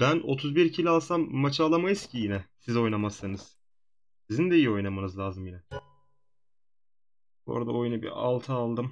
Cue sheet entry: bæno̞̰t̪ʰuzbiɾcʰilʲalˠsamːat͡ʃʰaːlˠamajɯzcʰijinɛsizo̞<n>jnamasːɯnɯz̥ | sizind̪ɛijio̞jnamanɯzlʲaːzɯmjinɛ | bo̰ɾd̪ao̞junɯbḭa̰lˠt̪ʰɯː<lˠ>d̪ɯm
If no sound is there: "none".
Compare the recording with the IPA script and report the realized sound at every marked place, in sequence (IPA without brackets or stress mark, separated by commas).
none, lˠ